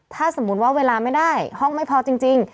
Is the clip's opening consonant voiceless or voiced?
voiceless